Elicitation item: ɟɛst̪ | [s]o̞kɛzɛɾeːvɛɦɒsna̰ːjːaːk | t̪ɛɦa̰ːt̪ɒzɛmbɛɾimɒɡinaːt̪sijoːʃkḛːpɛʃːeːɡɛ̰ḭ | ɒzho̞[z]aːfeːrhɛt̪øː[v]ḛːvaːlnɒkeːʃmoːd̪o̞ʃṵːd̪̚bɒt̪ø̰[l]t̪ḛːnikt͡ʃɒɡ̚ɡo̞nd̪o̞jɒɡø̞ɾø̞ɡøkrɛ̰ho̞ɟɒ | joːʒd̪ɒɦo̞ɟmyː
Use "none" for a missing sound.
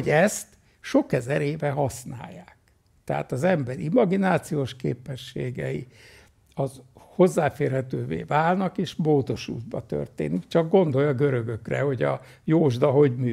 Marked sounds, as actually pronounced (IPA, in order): ʃ, zː, v, r

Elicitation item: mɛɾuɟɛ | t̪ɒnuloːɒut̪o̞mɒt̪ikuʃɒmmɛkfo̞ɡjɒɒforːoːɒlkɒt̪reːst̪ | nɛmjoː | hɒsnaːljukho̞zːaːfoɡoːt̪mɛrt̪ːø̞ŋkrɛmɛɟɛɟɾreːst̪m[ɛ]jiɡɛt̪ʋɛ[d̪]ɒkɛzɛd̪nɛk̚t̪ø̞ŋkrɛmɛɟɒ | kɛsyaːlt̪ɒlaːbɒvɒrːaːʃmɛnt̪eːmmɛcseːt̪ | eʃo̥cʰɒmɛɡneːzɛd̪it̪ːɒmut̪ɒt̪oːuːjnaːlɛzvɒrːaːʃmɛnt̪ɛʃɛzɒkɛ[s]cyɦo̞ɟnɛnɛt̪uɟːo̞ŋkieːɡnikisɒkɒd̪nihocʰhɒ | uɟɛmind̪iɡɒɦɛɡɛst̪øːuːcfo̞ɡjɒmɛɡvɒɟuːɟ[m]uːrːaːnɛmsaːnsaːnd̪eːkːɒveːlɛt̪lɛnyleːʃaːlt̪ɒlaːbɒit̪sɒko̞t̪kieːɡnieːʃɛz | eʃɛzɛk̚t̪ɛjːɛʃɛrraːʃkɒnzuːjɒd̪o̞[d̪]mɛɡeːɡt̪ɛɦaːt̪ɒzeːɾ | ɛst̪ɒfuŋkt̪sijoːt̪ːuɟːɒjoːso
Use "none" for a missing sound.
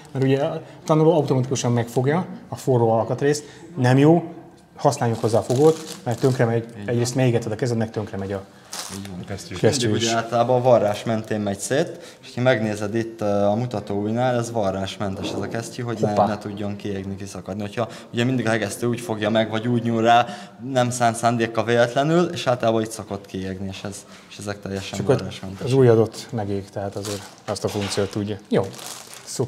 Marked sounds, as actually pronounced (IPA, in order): ɛ, d̪, s, ɲ, t̪

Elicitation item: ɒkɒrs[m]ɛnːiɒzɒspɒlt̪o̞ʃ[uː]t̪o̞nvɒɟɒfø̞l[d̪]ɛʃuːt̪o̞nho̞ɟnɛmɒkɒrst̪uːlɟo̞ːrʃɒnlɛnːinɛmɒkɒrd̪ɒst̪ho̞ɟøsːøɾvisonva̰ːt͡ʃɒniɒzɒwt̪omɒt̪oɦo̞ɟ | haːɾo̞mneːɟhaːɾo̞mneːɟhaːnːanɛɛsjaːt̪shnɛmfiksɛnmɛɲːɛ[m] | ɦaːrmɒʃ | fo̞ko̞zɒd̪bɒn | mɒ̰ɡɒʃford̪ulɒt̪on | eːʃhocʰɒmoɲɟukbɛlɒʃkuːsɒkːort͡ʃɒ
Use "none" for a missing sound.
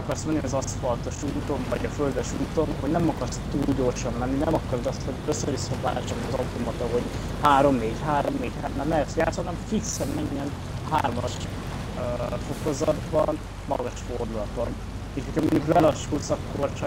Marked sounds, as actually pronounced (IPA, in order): m, uː, d̪, n

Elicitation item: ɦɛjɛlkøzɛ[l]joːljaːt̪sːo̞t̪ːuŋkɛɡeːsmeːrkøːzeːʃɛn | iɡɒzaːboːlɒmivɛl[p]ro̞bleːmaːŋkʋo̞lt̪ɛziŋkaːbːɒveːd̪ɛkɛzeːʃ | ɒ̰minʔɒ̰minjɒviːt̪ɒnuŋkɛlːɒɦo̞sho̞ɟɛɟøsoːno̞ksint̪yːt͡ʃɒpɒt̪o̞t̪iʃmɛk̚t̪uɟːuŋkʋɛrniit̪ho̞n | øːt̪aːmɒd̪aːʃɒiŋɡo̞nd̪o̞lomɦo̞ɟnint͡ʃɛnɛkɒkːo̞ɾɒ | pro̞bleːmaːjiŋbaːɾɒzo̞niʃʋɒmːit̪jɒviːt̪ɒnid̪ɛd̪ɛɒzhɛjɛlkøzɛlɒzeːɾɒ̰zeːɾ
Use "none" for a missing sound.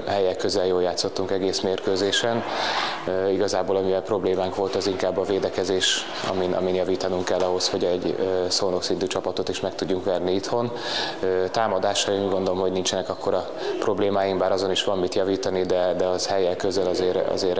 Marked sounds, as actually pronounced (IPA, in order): l, p

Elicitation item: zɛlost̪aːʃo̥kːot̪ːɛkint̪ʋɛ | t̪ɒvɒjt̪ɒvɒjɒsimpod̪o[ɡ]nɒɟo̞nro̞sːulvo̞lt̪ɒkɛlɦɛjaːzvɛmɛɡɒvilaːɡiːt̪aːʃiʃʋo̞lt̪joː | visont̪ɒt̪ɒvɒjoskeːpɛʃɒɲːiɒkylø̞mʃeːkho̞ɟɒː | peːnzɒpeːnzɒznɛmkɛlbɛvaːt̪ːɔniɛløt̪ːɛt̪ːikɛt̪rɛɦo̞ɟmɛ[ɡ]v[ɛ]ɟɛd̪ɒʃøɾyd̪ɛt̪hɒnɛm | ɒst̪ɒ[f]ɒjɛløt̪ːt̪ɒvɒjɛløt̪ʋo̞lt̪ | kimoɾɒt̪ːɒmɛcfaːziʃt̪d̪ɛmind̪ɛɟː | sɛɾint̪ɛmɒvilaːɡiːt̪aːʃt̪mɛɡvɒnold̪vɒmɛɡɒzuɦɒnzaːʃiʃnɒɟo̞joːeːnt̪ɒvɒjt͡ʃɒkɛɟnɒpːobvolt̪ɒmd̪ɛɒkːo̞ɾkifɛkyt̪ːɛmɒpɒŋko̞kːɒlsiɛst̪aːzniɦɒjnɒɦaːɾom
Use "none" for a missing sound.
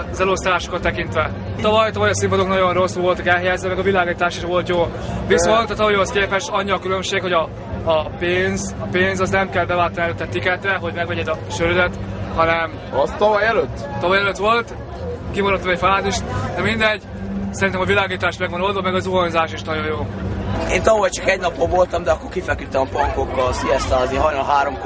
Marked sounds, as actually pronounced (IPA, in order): k, ɡ, ɛ, v

